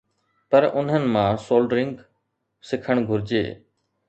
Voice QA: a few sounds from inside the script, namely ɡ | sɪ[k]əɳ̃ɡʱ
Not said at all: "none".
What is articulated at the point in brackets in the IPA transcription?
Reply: kʰ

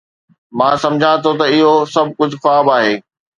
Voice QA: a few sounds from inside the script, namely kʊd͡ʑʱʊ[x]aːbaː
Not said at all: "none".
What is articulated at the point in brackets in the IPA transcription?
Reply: x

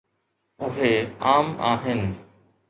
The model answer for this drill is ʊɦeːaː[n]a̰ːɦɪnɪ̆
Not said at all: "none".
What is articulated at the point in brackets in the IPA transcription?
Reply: m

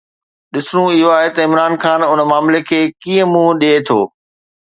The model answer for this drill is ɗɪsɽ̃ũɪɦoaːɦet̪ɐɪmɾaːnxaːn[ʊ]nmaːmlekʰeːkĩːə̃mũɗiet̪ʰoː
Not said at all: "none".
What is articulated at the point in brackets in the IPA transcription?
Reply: ʊ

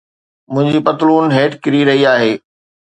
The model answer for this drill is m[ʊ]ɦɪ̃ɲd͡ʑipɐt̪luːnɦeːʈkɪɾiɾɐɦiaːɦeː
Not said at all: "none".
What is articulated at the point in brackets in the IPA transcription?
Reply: ʊ̃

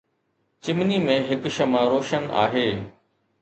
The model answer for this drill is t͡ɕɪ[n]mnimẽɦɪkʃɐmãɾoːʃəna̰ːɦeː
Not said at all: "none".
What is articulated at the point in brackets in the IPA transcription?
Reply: none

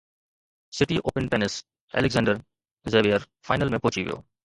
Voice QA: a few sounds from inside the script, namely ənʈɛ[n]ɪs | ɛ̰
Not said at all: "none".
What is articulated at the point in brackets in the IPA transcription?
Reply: n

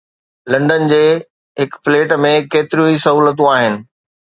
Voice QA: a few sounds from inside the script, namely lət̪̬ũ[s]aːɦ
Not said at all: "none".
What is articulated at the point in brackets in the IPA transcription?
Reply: none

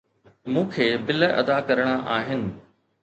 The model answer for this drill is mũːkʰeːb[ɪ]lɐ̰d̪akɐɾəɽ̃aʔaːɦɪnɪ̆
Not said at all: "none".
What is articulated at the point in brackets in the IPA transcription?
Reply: ɪ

